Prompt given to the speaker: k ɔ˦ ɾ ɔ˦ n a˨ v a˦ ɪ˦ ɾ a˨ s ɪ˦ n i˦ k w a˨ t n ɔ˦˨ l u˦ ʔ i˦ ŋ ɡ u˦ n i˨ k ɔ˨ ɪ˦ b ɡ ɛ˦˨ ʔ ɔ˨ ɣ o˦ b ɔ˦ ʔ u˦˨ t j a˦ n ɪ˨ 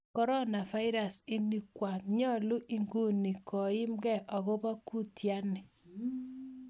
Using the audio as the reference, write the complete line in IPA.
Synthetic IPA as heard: k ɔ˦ ɾ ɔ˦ n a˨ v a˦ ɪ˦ ɾ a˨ s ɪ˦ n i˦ k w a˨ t ɲ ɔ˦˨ l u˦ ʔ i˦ ŋ ɡ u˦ n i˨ k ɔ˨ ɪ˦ m ɡ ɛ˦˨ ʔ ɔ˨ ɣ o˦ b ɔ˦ k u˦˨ t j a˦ n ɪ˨